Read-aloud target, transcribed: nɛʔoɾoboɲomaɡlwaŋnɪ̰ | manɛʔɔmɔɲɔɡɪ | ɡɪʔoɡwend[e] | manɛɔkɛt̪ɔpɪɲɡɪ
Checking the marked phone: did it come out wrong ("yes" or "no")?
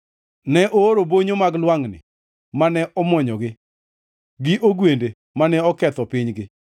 no